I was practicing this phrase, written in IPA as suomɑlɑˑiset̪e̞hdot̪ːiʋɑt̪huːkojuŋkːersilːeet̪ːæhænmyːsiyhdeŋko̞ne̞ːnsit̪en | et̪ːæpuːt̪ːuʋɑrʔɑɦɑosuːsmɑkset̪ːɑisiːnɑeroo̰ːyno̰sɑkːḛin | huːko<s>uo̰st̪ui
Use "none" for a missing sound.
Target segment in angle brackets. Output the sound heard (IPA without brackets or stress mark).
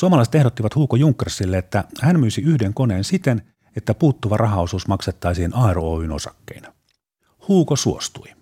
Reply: s